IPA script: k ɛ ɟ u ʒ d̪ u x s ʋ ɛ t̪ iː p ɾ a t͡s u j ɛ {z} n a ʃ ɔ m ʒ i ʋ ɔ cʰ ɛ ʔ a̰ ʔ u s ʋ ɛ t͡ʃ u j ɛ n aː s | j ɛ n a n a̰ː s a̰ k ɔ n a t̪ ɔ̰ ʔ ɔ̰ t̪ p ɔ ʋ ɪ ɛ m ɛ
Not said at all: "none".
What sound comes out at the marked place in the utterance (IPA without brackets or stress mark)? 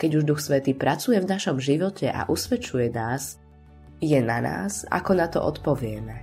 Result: v